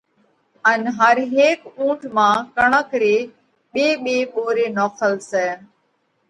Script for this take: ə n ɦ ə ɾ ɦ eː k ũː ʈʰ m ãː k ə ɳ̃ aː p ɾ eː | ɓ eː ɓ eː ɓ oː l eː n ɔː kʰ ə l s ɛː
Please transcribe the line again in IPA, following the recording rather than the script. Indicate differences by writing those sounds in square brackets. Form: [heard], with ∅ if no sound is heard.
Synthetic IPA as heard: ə n ɦ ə ɾ ɦ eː k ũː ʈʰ m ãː k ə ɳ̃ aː [k] ɾ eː | ɓ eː ɓ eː ɓ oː [ɾ] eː n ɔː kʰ ə l s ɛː

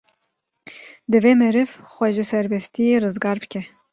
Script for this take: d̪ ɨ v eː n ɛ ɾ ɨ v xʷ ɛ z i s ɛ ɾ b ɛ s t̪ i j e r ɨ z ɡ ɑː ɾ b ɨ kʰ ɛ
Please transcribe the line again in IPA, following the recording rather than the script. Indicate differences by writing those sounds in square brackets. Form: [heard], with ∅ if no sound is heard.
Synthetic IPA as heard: d̪ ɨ v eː [m] ɛ ɾ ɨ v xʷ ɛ [ʒ] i s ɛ ɾ b ɛ s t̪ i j e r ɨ z ɡ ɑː ɾ b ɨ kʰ ɛ

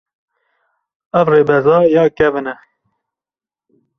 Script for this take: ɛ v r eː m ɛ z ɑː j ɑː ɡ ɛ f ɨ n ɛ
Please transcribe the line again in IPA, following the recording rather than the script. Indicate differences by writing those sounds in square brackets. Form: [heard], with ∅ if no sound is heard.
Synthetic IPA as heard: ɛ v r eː [b] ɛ z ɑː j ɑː [k] ɛ [v] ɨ n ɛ

